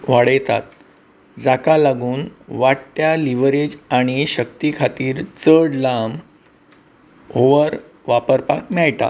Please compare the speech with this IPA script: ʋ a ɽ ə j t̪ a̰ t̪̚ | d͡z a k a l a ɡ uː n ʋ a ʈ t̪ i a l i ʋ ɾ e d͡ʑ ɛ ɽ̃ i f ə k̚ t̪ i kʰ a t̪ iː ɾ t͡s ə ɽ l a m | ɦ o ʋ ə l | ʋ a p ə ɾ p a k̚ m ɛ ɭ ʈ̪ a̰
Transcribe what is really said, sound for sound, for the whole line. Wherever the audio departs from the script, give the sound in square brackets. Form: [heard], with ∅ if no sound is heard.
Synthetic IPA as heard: ʋ a ɽ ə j t̪ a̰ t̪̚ | d͡z a k a l a ɡ uː n ʋ a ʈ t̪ [j] a l i ʋ ɾ e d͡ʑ [a] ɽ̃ i [ɕ] ə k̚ t̪ i kʰ a t̪ iː ɾ t͡s ə ɽ l a m | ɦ o ʋ ə [ɾ] | ʋ a p ə ɾ p a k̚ m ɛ ɭ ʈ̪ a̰